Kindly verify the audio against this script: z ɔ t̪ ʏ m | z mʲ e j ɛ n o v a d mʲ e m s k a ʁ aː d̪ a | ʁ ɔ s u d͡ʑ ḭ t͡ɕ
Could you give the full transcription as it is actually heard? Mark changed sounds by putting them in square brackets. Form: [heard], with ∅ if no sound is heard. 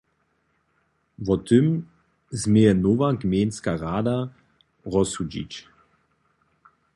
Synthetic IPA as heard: [v] ɔ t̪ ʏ m | z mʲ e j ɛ n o v a [ɡ] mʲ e [n] s k a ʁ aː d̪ a | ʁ ɔ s u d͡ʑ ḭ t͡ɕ